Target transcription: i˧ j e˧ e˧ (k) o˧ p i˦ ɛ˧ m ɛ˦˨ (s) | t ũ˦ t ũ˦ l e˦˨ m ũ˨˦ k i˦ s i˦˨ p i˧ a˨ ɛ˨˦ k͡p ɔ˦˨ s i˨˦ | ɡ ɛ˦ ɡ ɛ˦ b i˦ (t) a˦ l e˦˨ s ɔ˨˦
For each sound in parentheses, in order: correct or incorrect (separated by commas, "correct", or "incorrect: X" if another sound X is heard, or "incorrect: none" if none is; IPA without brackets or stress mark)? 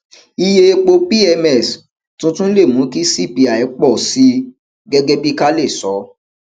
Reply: incorrect: k͡p, correct, incorrect: k